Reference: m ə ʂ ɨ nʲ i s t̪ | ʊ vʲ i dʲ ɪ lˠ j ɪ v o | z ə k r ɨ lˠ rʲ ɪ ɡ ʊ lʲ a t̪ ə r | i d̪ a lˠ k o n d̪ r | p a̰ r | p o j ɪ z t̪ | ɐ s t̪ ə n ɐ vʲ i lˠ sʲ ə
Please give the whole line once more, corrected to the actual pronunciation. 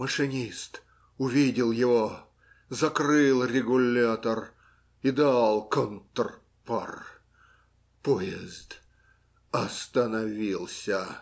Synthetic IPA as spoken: m ə ʂ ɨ nʲ i s t̪ | ʊ vʲ i dʲ ɪ lˠ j ɪ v o | z ɐ k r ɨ lˠ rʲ ɪ ɡ ʊ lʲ a t̪ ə r | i d̪ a lˠ k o n t̪ r | p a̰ r | p o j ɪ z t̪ | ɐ s t̪ ə n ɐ vʲ i lˠ sʲ ə

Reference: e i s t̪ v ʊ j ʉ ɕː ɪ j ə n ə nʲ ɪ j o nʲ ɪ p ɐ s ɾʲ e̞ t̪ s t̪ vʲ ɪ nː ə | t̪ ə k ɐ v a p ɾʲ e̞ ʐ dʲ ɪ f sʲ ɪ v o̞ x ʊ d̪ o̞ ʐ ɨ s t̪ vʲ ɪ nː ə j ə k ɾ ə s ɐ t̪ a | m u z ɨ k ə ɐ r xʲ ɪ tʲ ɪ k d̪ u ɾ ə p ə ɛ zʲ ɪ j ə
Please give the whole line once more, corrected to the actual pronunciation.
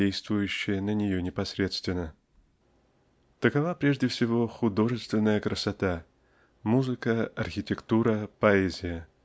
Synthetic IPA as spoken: e j s t̪ v ʊ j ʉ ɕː ɪ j ə n ə nʲ ɪ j o nʲ ɪ p ɐ s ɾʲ e̞ t̪ s t̪ vʲ ɪ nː ə | t̪ ə k ɐ v a p ɾʲ e̞ ʐ dʲ ɪ f sʲ ɪ v o̞ x ʊ d̪ o̞ ʐ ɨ s t̪ vʲ ɪ nː ə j ə k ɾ ə s ɐ t̪ a | m u z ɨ k ə ɐ r xʲ ɪ tʲ ɪ k t̪ u ɾ ə p ɐ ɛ zʲ ɪ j ə

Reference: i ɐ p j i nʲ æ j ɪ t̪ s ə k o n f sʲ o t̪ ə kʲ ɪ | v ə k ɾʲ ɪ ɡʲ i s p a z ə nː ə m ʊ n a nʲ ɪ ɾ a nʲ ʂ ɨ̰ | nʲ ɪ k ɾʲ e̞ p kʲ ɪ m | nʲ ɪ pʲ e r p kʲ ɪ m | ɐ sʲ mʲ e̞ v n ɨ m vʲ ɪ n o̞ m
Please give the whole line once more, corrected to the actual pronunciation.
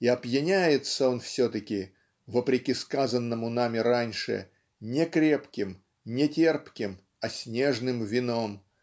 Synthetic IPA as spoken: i ɐ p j ɪ nʲ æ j ɪ t̪ s ə o n f sʲ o t̪ ə kʲ ɪ | v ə p ɾʲ ɪ kʲ i s k a z ə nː ə m ʊ n a mʲ ɪ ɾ a nʲ ʂ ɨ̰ | nʲ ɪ k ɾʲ e̞ p kʲ ɪ m | nʲ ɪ tʲ e r p kʲ ɪ m | ɐ sʲ nʲ e̞ ʐ n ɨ m vʲ ɪ n o̞ m

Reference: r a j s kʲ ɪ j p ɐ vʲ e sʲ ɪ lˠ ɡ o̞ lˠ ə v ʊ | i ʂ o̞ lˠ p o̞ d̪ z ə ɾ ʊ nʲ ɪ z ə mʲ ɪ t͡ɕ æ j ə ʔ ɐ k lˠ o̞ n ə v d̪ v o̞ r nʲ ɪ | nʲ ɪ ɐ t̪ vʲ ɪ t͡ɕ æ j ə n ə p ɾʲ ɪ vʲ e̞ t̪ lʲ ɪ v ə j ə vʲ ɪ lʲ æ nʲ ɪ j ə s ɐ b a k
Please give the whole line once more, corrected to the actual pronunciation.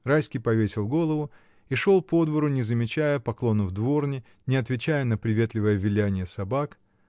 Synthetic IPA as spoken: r a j s kʲ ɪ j p ɐ vʲ e sʲ ɪ lˠ ɡ o̞ lˠ ə v ʊ | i ʂ o̞ lˠ p o̞ d̪ v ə ɾ ʊ nʲ ɪ z ə mʲ ɪ t͡ɕ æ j ə p ɐ k lˠ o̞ n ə v d̪ v o̞ r nʲ ɪ | nʲ ɪ ɐ t̪ vʲ ɪ t͡ɕ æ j ə n ə p ɾʲ ɪ vʲ e̞ t̪ lʲ ɪ v ə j ə vʲ ɪ lʲ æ nʲ ɪ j ə s ɐ b a k

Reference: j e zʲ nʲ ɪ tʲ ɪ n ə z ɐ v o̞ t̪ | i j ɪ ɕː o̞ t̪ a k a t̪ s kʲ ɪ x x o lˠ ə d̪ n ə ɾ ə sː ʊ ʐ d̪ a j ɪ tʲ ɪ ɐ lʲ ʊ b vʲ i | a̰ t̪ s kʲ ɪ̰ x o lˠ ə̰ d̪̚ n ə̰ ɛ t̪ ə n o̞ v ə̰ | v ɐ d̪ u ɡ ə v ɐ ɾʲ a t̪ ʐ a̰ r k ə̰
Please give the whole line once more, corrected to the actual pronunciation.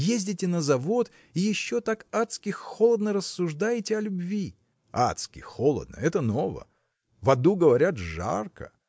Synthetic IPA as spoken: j e zʲ dʲ ɪ tʲ ɪ n ə z ɐ v o̞ t̪ | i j ɪ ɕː o̞ t̪ a k a t̪ s kʲ ɪ x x o lˠ ə d̪ n ə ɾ ə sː ʊ ʐ d̪ a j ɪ tʲ ɪ ɐ lʲ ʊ b vʲ i | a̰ t̪ s kʲ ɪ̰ x o lˠ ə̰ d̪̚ n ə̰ ɛ t̪ ə n o̞ v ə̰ | v ɐ d̪ u ɡ ə v ɐ ɾʲ a t̪ ʐ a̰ r k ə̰

